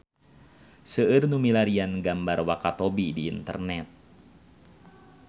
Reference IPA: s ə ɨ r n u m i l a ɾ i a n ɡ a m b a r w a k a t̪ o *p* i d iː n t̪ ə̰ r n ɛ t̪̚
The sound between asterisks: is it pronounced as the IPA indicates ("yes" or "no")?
no